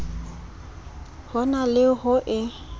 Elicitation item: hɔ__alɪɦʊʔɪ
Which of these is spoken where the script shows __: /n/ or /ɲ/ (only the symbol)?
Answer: n